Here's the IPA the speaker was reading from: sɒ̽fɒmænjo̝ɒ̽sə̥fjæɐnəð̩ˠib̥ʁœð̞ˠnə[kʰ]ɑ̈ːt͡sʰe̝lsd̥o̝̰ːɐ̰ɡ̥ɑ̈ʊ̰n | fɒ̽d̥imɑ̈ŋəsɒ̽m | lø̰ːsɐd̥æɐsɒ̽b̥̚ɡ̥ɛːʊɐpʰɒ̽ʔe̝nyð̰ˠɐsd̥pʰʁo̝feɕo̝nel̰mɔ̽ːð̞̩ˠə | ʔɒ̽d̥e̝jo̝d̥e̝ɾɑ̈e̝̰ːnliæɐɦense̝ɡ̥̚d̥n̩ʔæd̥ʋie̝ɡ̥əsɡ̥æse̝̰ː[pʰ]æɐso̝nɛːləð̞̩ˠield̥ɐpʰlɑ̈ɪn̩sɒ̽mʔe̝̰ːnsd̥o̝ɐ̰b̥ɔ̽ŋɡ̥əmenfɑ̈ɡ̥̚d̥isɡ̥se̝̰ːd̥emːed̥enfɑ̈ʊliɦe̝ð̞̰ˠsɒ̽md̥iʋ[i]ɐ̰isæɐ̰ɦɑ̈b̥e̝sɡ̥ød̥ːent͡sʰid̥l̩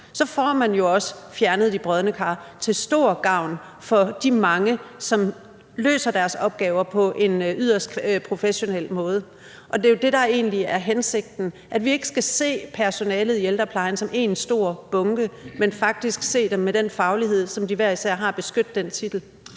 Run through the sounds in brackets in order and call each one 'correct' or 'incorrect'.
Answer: correct, correct, incorrect

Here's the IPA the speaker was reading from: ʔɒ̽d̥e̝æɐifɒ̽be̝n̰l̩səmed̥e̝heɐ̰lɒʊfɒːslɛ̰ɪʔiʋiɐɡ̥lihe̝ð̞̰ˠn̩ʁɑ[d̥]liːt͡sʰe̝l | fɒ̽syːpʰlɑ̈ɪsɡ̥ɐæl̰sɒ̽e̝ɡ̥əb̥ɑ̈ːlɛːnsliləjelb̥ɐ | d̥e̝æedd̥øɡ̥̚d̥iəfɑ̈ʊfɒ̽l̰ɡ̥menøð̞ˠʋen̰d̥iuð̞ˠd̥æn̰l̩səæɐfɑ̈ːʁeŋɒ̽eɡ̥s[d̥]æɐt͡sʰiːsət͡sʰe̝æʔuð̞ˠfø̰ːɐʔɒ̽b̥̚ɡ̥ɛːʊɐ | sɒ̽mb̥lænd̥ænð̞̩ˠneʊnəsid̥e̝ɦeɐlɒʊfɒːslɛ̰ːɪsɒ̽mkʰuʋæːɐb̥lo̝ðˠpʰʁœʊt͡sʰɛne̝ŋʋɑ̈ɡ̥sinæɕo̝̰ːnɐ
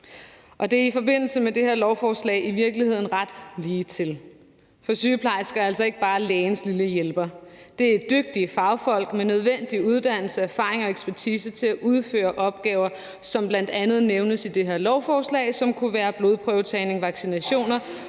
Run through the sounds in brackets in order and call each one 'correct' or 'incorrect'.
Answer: correct, incorrect

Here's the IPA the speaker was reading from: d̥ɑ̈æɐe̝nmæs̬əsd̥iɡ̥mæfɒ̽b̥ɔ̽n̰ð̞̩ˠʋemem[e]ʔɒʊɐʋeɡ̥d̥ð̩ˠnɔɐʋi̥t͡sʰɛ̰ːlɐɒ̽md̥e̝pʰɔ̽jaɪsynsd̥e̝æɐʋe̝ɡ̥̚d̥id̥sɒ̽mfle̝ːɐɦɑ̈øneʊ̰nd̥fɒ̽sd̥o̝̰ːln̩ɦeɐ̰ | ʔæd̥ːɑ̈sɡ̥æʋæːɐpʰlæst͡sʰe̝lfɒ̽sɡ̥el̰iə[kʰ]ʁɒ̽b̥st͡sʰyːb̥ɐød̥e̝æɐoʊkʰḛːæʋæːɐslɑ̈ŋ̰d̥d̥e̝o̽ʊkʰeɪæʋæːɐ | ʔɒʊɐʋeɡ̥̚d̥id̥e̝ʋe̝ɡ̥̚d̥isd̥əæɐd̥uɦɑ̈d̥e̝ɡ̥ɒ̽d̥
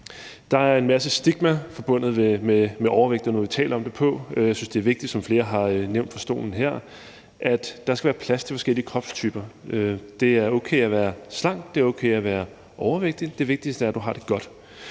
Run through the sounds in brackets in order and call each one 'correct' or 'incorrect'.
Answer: correct, correct

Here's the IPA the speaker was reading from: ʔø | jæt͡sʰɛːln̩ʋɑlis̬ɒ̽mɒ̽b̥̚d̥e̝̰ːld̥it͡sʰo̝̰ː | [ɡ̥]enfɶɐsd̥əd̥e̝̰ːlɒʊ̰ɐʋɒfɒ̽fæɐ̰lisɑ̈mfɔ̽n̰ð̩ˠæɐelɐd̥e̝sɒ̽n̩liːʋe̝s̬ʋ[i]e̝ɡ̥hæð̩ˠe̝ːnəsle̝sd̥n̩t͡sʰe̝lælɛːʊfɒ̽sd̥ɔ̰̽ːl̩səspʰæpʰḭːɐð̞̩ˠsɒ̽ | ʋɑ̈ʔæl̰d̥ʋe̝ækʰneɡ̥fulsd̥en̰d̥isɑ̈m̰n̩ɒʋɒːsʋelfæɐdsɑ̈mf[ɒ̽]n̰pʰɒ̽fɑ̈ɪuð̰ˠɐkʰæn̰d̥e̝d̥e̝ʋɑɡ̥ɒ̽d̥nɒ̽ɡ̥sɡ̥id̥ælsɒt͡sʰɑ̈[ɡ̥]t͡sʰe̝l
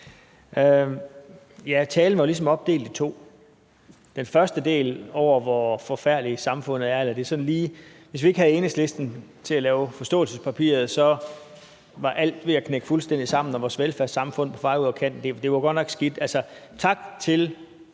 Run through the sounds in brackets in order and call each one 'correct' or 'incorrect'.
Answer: incorrect, correct, incorrect, correct

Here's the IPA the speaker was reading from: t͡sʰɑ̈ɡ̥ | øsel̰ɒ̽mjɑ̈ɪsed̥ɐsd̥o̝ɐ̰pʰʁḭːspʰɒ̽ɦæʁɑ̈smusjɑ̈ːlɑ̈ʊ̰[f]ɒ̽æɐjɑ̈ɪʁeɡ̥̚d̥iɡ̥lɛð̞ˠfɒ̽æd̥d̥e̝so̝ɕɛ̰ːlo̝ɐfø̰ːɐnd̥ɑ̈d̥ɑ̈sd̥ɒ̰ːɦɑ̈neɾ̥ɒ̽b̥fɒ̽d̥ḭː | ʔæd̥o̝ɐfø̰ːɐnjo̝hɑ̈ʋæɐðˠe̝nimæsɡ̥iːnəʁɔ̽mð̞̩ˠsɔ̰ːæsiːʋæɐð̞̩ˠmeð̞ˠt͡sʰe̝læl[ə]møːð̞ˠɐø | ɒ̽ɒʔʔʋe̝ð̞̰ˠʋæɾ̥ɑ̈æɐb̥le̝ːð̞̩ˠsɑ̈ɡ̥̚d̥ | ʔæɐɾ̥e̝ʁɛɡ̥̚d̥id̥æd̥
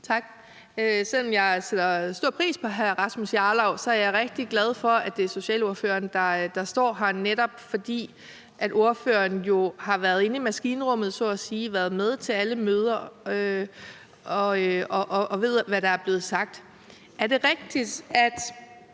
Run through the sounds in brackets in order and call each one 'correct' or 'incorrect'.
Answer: incorrect, correct

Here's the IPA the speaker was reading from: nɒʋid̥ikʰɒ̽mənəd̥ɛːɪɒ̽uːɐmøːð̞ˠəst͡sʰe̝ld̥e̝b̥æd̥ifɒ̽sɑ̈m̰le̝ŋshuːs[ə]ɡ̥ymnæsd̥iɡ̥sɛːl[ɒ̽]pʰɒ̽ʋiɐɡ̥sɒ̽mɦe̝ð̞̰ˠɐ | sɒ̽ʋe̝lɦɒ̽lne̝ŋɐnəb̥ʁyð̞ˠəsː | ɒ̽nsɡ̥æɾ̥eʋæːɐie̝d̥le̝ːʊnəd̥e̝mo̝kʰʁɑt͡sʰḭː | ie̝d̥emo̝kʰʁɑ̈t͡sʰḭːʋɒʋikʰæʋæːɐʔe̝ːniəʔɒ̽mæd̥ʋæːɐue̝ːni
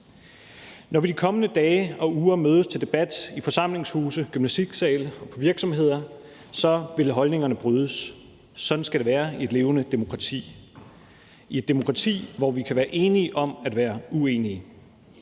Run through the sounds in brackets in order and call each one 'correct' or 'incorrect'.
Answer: correct, correct

